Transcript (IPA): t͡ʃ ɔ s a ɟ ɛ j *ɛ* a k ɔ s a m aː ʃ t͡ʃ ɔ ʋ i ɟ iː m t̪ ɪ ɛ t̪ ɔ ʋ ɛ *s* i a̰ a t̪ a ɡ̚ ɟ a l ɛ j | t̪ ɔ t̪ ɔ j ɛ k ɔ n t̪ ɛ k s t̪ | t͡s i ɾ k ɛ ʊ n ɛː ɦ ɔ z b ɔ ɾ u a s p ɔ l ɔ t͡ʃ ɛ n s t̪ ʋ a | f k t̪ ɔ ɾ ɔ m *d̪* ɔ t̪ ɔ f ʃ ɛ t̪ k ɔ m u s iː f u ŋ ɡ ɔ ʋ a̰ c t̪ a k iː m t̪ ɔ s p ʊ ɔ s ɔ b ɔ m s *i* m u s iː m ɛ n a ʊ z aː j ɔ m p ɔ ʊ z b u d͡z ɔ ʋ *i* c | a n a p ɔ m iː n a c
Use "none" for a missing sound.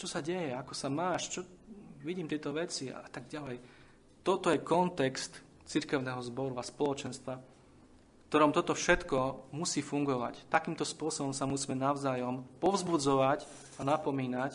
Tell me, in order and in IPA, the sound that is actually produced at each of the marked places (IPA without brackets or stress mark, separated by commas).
ɛ, t͡s, t̪, a, a